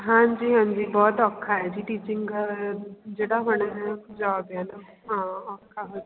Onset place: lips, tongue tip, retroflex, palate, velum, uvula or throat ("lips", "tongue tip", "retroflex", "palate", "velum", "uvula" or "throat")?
throat